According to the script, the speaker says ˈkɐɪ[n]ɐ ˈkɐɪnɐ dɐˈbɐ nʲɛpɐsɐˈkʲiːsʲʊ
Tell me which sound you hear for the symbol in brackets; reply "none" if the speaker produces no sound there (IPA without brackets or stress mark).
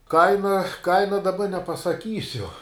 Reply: n